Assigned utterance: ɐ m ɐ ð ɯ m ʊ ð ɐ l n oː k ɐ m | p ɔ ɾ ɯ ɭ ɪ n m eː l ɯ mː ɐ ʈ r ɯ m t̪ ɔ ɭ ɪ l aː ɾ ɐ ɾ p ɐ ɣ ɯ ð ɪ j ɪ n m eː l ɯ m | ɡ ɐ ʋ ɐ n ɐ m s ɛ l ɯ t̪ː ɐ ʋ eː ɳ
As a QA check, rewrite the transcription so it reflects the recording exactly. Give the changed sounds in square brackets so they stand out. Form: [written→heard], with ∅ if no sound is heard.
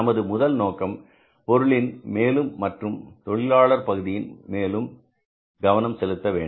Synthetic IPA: ɐ m ɐ ð ɯ m ʊ ð ɐ l n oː k ɐ m | p ɔ ɾ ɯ ɭ ɪ n m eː l ɯ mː ɐ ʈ r ɯ m t̪ ɔ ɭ ɪ l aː [ɾ→ɭ] ɐ ɾ p ɐ ɣ ɯ ð ɪ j ɪ n m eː l ɯ m | ɡ ɐ ʋ ɐ n ɐ m s ɛ l ɯ t̪ː ɐ ʋ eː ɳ